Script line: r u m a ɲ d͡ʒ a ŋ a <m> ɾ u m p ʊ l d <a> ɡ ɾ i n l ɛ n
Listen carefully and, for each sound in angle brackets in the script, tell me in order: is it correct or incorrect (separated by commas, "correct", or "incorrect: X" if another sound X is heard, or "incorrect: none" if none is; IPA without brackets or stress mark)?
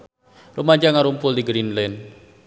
incorrect: none, incorrect: i